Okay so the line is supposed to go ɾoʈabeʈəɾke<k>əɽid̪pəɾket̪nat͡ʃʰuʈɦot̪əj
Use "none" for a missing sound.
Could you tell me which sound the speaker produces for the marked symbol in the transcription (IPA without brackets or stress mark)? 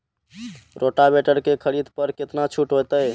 kʰ